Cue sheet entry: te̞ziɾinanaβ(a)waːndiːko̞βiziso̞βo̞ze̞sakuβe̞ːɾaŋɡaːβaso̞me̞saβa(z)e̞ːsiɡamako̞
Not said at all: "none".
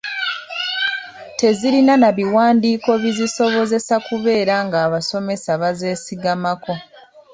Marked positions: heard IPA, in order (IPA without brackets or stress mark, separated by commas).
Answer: i, z